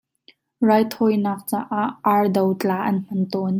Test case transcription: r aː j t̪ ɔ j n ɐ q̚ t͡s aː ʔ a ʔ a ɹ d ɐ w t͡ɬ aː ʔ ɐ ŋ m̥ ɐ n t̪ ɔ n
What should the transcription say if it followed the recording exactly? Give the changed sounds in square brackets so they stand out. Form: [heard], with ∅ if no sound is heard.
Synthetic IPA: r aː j [t̪ʰ] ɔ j n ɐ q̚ t͡s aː ʔ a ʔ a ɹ d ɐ w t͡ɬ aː ʔ ɐ [n] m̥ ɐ n t̪ ɔ n